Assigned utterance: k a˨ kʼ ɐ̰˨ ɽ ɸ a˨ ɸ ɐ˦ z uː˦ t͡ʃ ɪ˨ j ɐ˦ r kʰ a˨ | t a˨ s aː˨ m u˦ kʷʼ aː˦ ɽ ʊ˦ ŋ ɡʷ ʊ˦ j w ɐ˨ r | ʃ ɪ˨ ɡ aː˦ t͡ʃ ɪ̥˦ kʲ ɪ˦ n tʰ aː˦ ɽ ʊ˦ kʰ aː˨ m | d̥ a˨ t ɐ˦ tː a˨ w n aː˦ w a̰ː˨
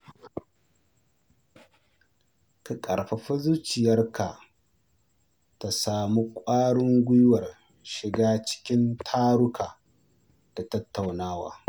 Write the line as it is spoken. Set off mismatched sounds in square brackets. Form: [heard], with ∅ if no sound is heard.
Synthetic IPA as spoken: k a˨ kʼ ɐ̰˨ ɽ ɸ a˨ ɸ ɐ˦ z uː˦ t͡ʃ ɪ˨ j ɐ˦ r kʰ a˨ | t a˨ s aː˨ m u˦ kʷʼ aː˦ ɽ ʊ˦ ŋ ɡʷ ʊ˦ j w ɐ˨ r | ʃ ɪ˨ ɡ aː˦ t͡ʃ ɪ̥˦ kʲ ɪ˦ n tʰ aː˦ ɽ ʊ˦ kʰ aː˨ [∅] | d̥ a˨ t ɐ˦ tː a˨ w n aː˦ w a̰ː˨